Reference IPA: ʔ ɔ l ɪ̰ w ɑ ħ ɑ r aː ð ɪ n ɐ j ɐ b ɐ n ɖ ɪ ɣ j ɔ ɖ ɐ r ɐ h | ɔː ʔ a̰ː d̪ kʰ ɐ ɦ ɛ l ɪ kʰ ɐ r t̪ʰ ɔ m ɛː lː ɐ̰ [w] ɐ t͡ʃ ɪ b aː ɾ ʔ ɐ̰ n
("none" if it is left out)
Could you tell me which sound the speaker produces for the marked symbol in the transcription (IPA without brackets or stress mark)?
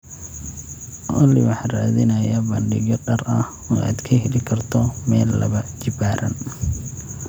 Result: β